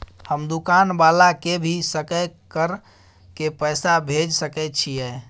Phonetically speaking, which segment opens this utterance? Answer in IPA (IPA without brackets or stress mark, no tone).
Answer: h